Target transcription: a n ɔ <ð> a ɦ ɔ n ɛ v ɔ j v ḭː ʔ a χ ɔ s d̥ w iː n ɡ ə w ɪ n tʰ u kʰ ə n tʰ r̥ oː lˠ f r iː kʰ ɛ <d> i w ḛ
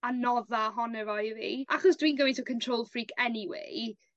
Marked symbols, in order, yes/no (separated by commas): yes, no